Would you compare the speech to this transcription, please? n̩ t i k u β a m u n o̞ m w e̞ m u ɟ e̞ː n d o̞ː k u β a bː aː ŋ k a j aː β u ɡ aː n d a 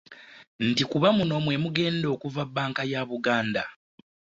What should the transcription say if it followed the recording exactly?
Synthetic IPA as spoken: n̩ t i k u β a m u n o̞ m w e̞ m u ɡ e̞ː n d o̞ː k u v a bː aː ŋ k a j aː β u ɡ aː n d a